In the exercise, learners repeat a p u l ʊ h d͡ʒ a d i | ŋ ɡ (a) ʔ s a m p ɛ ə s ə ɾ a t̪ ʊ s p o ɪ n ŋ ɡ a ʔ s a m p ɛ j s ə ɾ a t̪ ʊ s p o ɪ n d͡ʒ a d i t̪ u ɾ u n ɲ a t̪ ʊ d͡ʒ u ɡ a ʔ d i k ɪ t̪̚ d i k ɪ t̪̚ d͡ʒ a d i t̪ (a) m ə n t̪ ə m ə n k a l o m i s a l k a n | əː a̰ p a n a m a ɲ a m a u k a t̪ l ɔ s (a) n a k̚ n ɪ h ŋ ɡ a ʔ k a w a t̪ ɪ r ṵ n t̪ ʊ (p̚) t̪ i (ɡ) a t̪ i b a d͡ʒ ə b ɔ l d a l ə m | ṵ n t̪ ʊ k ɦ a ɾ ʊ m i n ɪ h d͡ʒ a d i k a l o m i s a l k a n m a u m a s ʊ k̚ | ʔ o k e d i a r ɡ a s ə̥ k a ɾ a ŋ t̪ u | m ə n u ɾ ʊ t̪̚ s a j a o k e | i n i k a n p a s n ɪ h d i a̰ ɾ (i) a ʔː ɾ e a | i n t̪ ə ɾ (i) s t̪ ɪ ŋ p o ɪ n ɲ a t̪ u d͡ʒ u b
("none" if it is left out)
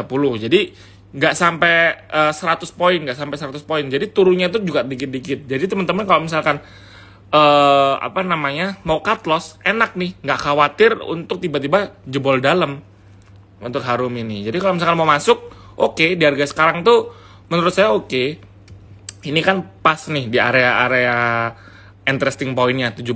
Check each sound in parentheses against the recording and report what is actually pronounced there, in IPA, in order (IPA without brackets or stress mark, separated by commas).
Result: a, ə, e, k̚, b, e, ɛ